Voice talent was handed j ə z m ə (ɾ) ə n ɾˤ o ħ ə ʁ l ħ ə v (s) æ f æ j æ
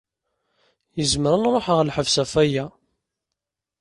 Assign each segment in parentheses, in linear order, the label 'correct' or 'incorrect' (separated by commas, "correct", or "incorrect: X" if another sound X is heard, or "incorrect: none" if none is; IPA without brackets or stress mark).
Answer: correct, correct